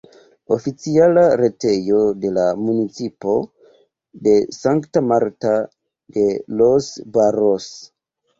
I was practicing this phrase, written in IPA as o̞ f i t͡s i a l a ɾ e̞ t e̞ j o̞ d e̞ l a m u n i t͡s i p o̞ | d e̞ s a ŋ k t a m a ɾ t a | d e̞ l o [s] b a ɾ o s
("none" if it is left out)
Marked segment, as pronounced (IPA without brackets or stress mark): s